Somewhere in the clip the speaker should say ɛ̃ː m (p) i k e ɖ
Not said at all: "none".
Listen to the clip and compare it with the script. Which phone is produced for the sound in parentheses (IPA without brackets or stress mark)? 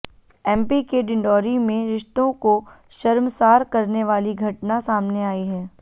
p